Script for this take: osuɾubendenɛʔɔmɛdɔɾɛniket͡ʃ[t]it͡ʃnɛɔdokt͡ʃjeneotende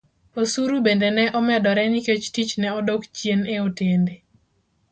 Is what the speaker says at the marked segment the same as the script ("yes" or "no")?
yes